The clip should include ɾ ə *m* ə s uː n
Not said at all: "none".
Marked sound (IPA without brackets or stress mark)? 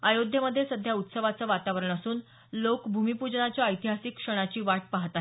ɳ